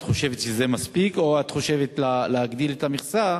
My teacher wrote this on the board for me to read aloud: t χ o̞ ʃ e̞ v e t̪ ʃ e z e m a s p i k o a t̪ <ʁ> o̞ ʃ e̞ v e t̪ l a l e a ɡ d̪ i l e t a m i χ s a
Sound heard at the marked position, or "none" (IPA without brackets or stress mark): χ